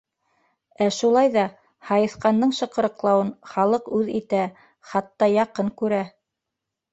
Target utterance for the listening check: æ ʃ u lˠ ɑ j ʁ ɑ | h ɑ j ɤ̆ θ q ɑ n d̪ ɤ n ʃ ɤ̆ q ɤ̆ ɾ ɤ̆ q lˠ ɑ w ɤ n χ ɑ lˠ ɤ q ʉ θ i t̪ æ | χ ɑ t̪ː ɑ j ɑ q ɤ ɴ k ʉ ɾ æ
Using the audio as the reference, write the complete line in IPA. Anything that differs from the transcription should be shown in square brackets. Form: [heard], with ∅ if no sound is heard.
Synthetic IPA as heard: æ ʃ u lˠ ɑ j [ð] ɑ | h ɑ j ɤ̆ θ q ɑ n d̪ ɤ [ɴ] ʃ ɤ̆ q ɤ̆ ɾ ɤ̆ q lˠ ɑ w ɤ n χ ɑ lˠ ɤ q ʉ [ð] i t̪ æ | χ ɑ t̪ː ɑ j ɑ q ɤ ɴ k ʉ ɾ æ